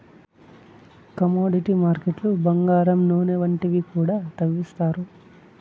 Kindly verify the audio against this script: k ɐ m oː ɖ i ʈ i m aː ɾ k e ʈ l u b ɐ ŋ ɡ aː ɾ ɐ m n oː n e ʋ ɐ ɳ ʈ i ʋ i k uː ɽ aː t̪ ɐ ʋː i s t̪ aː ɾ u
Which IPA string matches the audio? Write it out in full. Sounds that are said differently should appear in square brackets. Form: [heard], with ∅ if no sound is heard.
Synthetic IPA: k ɐ m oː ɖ i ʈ i m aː ɾ k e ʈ l u b ɐ ŋ ɡ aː ɾ ɐ m n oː n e ʋ ɐ ɳ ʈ i ʋ i k uː ɽ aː t̪ ɐ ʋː i s t̪ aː ɾ u

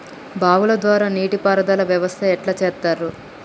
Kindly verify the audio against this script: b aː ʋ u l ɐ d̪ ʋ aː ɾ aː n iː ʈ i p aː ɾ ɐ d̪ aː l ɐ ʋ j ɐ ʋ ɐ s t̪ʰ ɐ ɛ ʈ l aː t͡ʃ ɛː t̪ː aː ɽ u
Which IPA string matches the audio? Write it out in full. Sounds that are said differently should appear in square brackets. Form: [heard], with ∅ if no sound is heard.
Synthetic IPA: b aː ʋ u l ɐ d̪ ʋ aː ɾ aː n iː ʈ i p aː ɾ ɐ d̪ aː l ɐ ʋ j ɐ ʋ ɐ s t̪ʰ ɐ ɛ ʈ l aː t͡ʃ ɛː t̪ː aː [ɾ] u

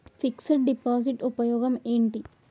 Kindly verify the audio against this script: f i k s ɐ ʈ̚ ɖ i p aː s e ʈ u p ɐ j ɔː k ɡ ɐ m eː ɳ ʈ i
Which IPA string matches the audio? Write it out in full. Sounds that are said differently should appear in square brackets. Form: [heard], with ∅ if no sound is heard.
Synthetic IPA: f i k s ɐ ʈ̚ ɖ i p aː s [i] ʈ u p ɐ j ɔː [∅] ɡ ɐ m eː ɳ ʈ i

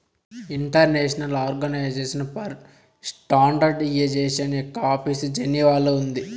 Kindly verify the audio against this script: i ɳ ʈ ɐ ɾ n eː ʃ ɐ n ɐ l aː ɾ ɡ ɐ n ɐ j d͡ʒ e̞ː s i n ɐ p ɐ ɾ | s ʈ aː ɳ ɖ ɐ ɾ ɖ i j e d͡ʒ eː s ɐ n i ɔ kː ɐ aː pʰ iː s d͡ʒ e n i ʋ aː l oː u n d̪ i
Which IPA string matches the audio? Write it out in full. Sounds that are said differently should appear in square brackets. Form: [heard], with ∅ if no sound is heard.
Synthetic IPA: i ɳ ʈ ɐ ɾ n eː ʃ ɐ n ɐ l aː ɾ ɡ ɐ n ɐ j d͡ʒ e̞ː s i n ɐ p ɐ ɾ | s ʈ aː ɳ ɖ ɐ ɾ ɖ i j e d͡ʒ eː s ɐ n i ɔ kː ɐ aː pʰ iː s d͡ʒ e n i ʋ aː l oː u n d̪ i

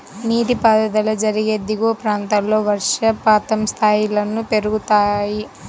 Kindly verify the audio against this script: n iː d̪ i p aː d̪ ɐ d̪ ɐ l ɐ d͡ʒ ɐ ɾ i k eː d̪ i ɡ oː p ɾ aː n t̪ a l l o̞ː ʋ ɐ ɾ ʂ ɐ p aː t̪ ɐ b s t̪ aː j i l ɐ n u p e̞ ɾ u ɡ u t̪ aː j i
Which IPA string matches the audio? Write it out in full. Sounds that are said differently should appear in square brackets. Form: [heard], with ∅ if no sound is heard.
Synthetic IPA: n iː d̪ i p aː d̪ ɐ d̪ ɐ l ɐ d͡ʒ ɐ ɾ i [ɡ] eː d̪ i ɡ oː p ɾ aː n t̪ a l l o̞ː ʋ ɐ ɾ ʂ ɐ p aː t̪ ɐ [m] s [t̪ʰ] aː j i l ɐ n u p e̞ ɾ u ɡ u t̪ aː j i

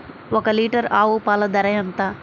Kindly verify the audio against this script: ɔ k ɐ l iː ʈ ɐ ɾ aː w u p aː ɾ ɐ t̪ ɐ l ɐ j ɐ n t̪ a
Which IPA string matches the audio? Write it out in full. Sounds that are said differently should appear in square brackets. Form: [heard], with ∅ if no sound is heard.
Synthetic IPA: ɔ k ɐ l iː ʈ ɐ ɾ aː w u p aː [l] ɐ [d̪] ɐ [ɾ] ɐ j ɐ n t̪ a

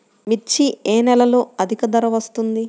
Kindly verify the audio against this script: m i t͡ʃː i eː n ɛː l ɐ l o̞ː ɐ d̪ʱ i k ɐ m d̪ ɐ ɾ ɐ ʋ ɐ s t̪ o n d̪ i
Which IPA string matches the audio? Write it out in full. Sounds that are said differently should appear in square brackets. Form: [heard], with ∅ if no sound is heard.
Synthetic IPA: m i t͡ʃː i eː n [ɛ] l ɐ l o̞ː ɐ d̪ʱ i k ɐ [∅] d̪ ɐ ɾ ɐ ʋ ɐ s t̪ [u] n d̪ i

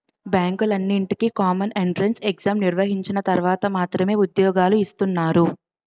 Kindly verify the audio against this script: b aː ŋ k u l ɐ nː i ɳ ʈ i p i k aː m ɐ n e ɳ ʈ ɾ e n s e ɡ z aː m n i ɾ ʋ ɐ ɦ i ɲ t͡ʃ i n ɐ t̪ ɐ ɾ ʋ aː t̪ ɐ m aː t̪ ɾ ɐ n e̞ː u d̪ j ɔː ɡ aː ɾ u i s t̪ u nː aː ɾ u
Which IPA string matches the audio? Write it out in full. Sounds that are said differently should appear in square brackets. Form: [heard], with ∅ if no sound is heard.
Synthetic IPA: b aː ŋ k u l ɐ nː i ɳ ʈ i [k] i k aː m ɐ n e ɳ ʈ ɾ e n s e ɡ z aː m n i ɾ ʋ ɐ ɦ i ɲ t͡ʃ i n ɐ t̪ ɐ ɾ ʋ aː t̪ ɐ m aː t̪ ɾ ɐ [m] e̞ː u d̪ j ɔː ɡ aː [l] u i s t̪ u nː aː ɾ u

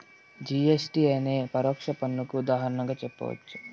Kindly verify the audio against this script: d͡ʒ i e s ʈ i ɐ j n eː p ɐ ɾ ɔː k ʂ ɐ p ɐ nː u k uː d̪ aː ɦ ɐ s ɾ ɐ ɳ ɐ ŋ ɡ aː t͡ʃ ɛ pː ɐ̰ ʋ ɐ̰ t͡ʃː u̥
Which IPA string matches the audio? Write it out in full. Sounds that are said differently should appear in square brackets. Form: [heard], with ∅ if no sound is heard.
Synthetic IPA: d͡ʒ i e s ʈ i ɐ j n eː p ɐ ɾ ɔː k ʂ ɐ p ɐ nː u k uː d̪ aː ɦ ɐ [∅] ɾ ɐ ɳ ɐ ŋ ɡ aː t͡ʃ ɛ pː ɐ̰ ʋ ɐ̰ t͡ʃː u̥

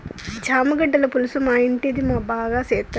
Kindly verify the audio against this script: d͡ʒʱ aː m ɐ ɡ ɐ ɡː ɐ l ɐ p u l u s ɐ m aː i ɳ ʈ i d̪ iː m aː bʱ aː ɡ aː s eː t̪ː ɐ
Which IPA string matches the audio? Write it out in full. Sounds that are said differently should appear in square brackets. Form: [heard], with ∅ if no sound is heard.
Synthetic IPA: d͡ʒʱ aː m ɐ ɡ ɐ [ɖː] ɐ l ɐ p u l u s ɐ m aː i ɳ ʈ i d̪ [i] m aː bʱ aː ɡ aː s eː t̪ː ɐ

